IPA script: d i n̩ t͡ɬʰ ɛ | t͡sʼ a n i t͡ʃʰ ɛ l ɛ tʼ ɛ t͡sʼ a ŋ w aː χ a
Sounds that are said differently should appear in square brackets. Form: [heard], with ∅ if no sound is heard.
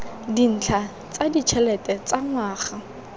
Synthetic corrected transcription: d i n̩ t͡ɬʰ [a] | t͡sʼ a [d] i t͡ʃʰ ɛ l ɛ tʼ ɛ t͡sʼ a ŋ w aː χ a